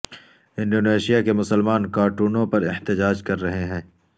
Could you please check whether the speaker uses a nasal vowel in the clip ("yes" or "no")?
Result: yes